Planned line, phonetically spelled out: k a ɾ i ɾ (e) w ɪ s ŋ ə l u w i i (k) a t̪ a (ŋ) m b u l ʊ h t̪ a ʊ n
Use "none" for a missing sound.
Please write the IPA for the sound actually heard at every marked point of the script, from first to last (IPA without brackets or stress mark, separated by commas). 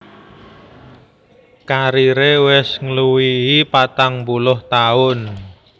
e, p, ŋ